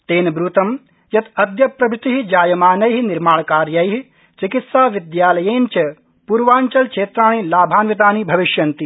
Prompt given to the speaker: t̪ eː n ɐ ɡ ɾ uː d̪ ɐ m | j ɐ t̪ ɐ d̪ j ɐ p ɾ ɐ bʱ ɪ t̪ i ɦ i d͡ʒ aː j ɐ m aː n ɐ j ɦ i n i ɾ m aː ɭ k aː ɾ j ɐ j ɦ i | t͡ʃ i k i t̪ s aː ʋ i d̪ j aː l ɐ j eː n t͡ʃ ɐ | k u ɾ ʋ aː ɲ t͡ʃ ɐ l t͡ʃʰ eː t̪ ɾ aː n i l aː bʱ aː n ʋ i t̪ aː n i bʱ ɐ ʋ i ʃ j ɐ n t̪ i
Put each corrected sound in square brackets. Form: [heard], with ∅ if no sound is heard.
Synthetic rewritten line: t̪ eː n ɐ [b] ɾ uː [t̪] ɐ m | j ɐ t̪ ɐ d̪ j ɐ p ɾ ɐ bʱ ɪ t̪ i ɦ i d͡ʒ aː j ɐ m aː n ɐ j ɦ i n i ɾ m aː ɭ k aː ɾ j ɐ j ɦ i | t͡ʃ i k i t̪ s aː ʋ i d̪ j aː l ɐ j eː n t͡ʃ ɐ | [p] u ɾ ʋ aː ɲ t͡ʃ ɐ l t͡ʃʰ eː t̪ ɾ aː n i l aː bʱ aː n ʋ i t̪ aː n i bʱ ɐ ʋ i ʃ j ɐ n t̪ i